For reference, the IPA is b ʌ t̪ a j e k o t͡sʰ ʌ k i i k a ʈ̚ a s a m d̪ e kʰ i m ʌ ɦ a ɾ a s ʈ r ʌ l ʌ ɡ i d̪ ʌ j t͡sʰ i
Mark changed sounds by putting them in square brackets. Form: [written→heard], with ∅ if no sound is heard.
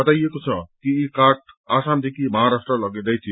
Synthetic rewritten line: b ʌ t̪ a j e k o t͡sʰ ʌ k i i k a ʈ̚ a s a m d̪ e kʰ i m ʌ ɦ a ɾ a s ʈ r ʌ l ʌ ɡ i d̪ ʌ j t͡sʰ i

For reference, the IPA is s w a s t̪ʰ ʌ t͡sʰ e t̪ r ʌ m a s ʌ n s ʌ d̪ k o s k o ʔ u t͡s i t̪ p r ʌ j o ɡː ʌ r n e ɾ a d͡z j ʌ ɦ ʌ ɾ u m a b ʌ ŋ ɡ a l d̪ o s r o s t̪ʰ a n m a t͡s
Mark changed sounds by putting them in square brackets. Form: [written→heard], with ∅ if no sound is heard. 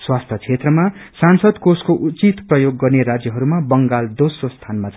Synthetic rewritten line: s w a s t̪ʰ ʌ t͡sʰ e t̪ r ʌ m a s [ʌ→a] n s ʌ d̪ k o s k o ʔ u t͡s i t̪ p r ʌ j o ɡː ʌ r n e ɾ a d͡z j ʌ ɦ ʌ ɾ u m a b ʌ ŋ ɡ a l d̪ o s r o s t̪ʰ a n m a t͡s

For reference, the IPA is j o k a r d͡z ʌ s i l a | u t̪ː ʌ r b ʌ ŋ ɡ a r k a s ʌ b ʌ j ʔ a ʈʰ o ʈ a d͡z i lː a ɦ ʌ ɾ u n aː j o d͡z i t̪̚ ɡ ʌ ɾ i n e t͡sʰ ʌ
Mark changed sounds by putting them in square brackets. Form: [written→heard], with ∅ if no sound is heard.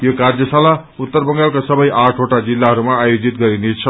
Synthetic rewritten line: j o k a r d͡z ʌ s [i→a] l a | u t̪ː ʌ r b ʌ ŋ ɡ a [r→l] k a s ʌ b ʌ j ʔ a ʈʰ o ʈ a d͡z i lː a ɦ ʌ ɾ u [n→m] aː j o d͡z i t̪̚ ɡ ʌ ɾ i n e t͡sʰ ʌ

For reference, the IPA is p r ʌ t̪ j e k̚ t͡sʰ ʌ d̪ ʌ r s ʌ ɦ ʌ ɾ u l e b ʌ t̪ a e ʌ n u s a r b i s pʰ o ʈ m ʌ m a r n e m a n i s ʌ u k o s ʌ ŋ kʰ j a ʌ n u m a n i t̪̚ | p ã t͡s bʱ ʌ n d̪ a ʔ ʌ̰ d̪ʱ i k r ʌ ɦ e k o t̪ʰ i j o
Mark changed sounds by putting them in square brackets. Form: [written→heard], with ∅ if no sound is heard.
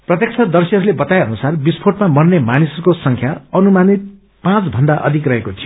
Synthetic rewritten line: p r ʌ t̪ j e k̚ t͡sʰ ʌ d̪ ʌ r s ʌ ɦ ʌ ɾ u l e b ʌ t̪ a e ʌ n u s a r b i s pʰ o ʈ m [ʌ→a] m [a→ʌ] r n e m a n i s ʌ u k o s ʌ ŋ kʰ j a ʌ n u m a n i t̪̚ | p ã t͡s bʱ ʌ n d̪ a ʔ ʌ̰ d̪ʱ i k r ʌ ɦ e k o t̪ʰ i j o

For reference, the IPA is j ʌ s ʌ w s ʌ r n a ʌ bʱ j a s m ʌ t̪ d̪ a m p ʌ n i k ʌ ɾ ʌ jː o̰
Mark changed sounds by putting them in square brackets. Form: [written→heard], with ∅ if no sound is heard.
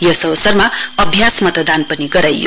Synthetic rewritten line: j ʌ s ʌ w s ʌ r [n→m] a ʌ bʱ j a s m ʌ t̪ d̪ a [m→n] p ʌ n i [k→ɡ] ʌ ɾ [ʌ→a] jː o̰

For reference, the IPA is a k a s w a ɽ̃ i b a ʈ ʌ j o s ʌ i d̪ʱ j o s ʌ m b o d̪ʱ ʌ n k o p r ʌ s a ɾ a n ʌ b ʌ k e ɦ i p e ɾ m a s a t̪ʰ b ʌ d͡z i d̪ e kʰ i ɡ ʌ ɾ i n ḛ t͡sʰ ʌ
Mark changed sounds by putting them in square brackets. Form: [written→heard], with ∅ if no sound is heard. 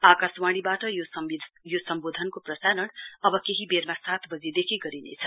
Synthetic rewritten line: a k a s w a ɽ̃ i b a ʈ ʌ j o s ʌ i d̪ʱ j o s ʌ m b o d̪ʱ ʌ n k o p r ʌ s a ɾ [a→ʌ] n ʌ b ʌ k e ɦ i [p→b] e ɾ m a s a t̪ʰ b ʌ d͡z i d̪ e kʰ i ɡ ʌ ɾ i n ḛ t͡sʰ ʌ

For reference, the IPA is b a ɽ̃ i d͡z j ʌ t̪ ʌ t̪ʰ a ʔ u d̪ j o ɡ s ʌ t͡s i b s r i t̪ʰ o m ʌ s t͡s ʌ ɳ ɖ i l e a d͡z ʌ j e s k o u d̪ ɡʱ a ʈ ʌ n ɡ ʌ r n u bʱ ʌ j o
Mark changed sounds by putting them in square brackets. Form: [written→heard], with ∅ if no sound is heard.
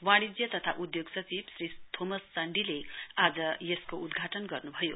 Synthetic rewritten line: [b→w] a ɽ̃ i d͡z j ʌ t̪ ʌ t̪ʰ a ʔ u d̪ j o ɡ s ʌ t͡s i b s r i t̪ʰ o m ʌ s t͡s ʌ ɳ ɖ i l e a d͡z ʌ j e s k o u d̪ ɡʱ a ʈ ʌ n ɡ ʌ r n u bʱ ʌ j o

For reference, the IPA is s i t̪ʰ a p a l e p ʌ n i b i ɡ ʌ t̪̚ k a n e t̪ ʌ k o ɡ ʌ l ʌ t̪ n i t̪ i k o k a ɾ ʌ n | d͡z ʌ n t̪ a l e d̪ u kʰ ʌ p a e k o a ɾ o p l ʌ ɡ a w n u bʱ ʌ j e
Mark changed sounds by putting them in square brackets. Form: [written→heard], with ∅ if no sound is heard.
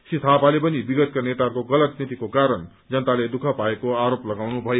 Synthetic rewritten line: s i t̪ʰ a p a l e p ʌ n i b i ɡ ʌ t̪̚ k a n e t̪ [ʌ→a] k o ɡ ʌ l ʌ t̪ n i t̪ i k o k a ɾ ʌ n | d͡z ʌ n t̪ a l e d̪ u kʰ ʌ p a e k o a ɾ o p l ʌ ɡ a w n u bʱ ʌ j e

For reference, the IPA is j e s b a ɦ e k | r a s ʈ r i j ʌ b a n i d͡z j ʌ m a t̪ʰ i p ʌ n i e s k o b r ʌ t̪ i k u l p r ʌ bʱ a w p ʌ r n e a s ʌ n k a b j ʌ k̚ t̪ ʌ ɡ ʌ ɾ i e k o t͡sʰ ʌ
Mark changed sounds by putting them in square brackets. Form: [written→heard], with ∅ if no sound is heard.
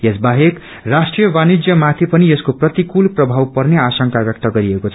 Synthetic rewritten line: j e s b a ɦ e k | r a s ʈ r i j ʌ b a n i d͡z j ʌ m a t̪ʰ i p ʌ n i e s k o [b→p] r ʌ t̪ i k u l p r ʌ bʱ a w p ʌ r n e a s ʌ [n→ŋ] k a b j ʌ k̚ t̪ ʌ ɡ ʌ ɾ i e k o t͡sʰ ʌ

